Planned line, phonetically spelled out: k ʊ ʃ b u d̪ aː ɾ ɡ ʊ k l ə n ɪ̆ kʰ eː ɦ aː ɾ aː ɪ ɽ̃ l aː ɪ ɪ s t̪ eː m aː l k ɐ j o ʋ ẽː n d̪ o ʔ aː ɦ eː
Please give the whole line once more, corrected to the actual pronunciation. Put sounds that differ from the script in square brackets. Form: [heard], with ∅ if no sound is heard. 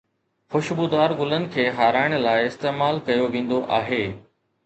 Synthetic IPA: [x] ʊ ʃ b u d̪ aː ɾ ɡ ʊ [∅] l ə n ɪ̆ kʰ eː ɦ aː ɾ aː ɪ ɽ̃ l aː ɪ ɪ s t̪ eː m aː l k ɐ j o ʋ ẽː n d̪ o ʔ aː ɦ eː